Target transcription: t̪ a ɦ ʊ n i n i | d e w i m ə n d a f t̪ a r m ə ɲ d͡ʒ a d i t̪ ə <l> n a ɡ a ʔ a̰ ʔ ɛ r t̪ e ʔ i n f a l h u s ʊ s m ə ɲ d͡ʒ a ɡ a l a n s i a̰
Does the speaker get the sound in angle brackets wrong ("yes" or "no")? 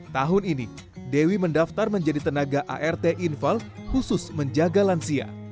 yes